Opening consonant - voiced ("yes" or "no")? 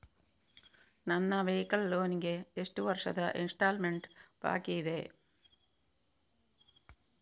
yes